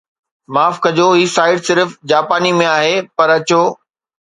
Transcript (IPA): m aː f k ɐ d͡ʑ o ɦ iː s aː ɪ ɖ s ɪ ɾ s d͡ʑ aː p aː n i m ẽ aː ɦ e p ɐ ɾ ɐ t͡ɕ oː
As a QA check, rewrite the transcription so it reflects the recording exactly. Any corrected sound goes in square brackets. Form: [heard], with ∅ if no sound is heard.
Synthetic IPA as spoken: m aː f k ɐ d͡ʑ o ɦ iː s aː ɪ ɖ s ɪ ɾ [f] d͡ʑ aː p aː n i m ẽ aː ɦ e p ɐ ɾ ɐ t͡ɕ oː